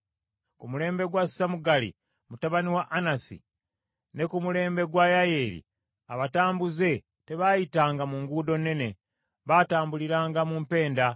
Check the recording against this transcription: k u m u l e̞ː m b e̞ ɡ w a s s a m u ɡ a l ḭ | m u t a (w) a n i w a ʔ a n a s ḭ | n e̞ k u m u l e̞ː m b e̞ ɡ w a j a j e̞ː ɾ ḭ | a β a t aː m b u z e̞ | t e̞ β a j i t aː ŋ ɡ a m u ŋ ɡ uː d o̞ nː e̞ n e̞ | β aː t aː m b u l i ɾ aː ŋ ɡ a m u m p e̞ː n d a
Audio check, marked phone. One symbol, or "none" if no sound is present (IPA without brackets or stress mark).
β